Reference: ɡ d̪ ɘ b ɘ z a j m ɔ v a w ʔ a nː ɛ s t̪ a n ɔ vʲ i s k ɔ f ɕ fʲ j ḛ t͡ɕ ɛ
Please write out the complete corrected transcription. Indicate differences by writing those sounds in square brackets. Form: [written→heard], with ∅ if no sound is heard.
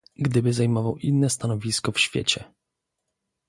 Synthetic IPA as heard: ɡ d̪ ɘ b ɘ z a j m ɔ v a w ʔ [a→i] nː ɛ s t̪ a n ɔ vʲ i s k ɔ f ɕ fʲ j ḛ t͡ɕ ɛ